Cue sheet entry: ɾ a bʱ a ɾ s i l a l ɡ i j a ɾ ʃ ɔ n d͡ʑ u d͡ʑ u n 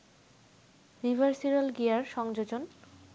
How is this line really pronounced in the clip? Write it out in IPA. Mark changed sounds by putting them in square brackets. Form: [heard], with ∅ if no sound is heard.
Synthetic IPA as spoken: ɾ [i] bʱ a ɾ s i [ɾ] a l ɡ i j a ɾ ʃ ɔ [ŋ] d͡ʑ [o] d͡ʑ [o] n